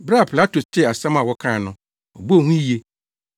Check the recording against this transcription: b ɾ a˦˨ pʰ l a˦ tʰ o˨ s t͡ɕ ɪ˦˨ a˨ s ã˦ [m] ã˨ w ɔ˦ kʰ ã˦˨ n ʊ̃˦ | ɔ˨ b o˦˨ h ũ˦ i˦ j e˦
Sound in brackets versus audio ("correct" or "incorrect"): correct